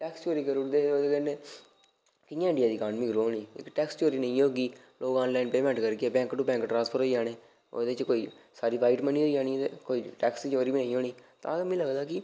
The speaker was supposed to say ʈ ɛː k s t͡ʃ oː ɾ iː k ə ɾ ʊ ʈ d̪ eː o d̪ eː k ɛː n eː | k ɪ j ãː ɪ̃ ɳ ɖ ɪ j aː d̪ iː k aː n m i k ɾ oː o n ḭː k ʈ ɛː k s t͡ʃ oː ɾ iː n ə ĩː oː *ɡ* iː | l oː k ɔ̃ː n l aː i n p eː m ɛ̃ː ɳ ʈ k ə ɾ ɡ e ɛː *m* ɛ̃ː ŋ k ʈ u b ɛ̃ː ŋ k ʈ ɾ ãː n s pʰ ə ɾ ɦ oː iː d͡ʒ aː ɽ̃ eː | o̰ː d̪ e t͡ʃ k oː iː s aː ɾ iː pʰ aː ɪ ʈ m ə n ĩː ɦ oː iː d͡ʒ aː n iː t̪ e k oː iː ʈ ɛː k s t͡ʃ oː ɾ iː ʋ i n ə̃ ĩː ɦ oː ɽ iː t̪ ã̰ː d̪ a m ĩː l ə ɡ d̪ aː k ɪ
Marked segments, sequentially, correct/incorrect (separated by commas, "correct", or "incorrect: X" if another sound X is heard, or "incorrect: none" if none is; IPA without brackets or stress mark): correct, incorrect: b